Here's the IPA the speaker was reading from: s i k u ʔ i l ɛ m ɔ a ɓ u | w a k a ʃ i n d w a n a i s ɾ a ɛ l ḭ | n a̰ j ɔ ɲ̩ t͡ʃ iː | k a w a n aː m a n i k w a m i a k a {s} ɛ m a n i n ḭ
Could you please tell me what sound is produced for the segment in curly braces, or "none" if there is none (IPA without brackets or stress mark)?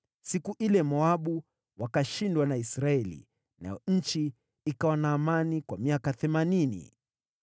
θ